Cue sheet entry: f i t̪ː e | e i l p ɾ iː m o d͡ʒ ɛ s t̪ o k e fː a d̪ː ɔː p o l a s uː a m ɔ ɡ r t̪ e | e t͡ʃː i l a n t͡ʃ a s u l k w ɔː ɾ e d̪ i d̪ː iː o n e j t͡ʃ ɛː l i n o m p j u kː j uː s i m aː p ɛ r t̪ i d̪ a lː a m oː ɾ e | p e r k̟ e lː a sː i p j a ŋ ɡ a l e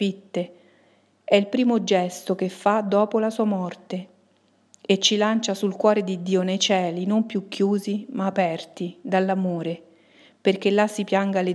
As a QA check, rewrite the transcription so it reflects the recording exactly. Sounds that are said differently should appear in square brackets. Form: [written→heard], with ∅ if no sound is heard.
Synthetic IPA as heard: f i t̪ː e | [e→ɛ] i l p ɾ iː m o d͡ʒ ɛ s t̪ o k e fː a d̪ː ɔː p o l a s uː a m ɔ [ɡ→∅] r t̪ e | e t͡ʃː i l a n t͡ʃ a s u l k w ɔː ɾ e d̪ i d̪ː iː o n e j t͡ʃ ɛː l i n o m p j u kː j uː [s→z] i m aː p ɛ r t̪ i d̪ a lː a m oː ɾ e | p e r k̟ e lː a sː i p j a ŋ ɡ a l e